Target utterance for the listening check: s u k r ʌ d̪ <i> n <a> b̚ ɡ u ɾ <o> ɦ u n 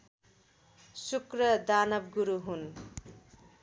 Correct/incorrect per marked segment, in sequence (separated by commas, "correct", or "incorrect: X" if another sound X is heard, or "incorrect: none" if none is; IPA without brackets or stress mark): incorrect: a, incorrect: ʌ, incorrect: u